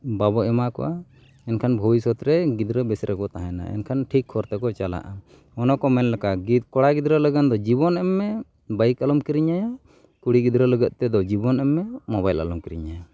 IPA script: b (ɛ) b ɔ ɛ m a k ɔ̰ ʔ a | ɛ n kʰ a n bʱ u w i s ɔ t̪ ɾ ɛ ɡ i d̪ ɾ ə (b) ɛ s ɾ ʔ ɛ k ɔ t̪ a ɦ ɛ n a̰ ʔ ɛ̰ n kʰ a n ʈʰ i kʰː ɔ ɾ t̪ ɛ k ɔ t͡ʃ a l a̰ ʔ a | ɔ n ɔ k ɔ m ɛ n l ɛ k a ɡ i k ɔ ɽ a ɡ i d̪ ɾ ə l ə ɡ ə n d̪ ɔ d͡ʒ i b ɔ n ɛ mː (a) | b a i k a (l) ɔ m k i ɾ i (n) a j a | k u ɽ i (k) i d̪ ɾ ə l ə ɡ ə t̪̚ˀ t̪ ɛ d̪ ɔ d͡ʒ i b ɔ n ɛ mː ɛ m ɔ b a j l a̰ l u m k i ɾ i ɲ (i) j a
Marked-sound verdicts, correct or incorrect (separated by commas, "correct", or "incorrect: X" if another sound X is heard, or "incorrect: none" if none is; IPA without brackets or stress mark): incorrect: a, correct, incorrect: ɛ, correct, incorrect: ɲ, incorrect: ɡ, incorrect: a